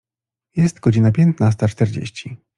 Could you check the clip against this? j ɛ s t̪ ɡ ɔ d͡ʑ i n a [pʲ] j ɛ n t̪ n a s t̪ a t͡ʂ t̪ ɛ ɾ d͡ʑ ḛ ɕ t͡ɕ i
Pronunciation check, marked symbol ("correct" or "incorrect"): correct